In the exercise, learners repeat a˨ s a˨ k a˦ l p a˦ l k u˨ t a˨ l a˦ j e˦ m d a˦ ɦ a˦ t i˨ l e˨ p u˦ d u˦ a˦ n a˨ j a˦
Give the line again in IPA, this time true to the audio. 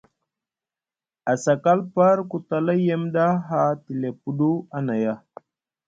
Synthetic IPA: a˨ s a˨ k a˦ l p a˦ ɾ k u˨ t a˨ l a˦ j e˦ m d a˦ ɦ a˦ t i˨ l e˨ p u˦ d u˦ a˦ n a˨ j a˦